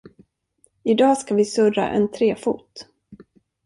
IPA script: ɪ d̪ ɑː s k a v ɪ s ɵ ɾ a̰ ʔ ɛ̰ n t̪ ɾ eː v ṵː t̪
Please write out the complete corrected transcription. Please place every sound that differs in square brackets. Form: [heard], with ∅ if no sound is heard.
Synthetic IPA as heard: ɪ d̪ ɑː s k a v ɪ s ɵ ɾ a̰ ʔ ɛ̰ n [t̪ʰ] ɾ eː [f] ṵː t̪